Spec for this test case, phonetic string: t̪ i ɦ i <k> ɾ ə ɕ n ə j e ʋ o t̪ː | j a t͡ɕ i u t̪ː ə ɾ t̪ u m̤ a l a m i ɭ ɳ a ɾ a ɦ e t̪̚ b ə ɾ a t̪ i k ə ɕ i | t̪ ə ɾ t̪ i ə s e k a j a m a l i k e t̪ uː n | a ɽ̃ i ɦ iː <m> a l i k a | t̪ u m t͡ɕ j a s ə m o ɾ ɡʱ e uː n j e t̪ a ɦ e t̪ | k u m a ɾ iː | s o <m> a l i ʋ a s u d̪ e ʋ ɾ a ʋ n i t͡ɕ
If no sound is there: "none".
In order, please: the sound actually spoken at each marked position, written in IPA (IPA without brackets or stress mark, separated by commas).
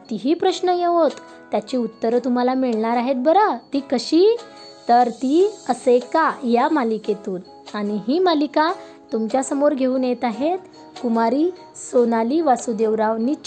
p, m, n